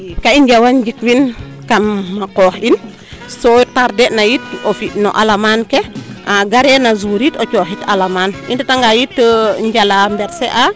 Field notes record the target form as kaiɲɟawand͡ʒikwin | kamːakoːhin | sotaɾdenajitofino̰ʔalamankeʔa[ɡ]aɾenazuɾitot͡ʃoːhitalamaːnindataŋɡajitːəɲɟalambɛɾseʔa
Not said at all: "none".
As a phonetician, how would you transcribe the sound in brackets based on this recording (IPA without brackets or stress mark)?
ɡ